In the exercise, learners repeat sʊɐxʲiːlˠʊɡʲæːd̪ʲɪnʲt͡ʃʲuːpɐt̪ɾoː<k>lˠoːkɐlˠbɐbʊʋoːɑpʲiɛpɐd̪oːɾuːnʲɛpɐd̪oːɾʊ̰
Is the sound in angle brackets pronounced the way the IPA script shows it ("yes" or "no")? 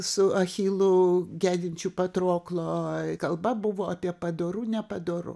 yes